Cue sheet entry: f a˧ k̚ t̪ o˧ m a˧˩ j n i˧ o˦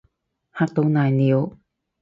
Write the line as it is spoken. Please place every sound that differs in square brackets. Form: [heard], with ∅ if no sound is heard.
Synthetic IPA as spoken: [h] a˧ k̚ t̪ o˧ [n] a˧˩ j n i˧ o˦